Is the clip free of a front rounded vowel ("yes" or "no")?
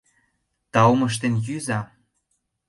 no